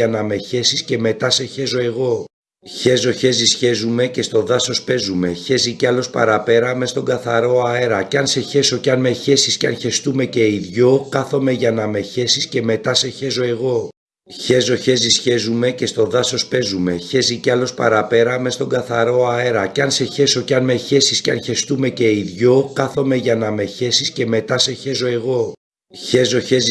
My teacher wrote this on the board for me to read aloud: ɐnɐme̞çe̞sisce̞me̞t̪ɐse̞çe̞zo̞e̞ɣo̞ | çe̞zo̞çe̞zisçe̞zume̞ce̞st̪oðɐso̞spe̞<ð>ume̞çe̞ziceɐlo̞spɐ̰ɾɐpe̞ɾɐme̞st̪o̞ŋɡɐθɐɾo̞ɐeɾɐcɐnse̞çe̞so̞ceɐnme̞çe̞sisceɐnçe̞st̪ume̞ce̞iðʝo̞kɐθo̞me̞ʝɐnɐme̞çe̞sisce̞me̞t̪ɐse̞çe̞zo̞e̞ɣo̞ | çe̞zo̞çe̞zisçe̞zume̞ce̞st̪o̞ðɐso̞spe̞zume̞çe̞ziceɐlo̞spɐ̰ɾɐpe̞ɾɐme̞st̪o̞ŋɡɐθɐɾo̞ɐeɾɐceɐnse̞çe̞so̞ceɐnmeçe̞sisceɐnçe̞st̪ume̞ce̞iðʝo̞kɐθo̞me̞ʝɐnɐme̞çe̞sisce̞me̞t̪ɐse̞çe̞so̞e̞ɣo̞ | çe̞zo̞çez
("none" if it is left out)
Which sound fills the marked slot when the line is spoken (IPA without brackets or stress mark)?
z